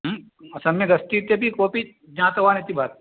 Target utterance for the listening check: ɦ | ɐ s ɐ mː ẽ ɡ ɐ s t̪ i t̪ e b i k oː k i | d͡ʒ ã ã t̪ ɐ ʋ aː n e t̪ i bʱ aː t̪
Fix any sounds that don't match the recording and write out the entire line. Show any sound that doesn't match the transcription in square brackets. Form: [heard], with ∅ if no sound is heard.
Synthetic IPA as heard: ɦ | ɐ s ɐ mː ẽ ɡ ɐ s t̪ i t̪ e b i k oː [p] i | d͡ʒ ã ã t̪ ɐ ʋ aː n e t̪ i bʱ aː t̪